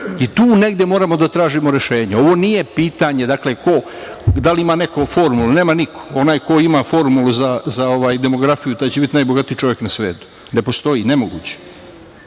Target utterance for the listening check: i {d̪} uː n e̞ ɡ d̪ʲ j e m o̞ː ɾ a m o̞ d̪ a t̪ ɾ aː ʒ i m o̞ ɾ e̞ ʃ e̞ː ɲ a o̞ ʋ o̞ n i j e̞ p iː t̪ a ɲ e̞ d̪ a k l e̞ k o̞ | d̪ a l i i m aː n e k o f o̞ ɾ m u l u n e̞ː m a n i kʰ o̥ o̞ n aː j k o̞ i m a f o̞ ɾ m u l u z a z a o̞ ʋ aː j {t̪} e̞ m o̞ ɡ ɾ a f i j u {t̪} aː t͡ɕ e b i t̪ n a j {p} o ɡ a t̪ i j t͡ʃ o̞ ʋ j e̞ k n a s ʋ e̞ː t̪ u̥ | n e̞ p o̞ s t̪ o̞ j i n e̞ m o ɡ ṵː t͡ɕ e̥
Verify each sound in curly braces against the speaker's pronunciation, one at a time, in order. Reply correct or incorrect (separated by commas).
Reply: incorrect, incorrect, correct, incorrect